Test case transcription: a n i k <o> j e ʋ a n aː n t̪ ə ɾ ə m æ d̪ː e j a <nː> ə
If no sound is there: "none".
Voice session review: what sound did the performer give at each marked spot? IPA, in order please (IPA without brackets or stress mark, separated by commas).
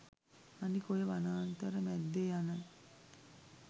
o, n